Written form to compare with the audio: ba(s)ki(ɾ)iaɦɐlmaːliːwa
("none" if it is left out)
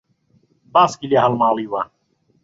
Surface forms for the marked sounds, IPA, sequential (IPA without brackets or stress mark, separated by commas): s, l